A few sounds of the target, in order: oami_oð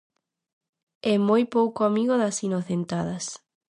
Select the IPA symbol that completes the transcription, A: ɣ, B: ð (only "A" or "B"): A